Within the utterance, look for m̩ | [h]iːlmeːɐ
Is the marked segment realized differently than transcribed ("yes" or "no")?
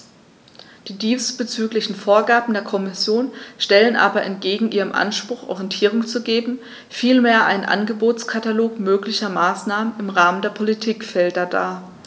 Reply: yes